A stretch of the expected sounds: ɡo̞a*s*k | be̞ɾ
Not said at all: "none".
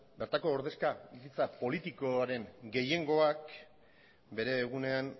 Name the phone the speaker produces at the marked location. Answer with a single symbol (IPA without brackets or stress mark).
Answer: none